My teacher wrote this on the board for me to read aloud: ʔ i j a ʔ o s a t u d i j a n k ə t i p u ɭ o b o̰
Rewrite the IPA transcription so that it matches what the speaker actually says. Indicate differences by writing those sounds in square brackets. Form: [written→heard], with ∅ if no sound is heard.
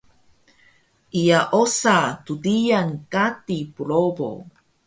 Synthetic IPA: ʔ i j a ʔ o s a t u d i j a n k [ə→a] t i p u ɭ o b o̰